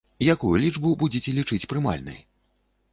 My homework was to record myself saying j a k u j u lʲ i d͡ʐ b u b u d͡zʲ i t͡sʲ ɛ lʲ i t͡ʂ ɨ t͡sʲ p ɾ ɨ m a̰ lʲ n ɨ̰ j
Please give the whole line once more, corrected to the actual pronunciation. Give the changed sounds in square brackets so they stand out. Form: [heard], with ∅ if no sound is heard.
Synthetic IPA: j a k u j u lʲ i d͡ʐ b u b u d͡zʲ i t͡sʲ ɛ lʲ i t͡ʂ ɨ t͡sʲ p ɾ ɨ m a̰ lʲ n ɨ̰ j